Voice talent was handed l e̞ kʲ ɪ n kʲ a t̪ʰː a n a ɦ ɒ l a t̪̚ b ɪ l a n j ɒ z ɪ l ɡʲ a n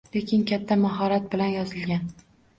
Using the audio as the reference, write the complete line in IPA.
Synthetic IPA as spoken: l e̞ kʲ ɪ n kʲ a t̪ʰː a m a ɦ ɒ ɾ a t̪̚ b ɪ l a n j ɒ z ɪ l ɡʲ a n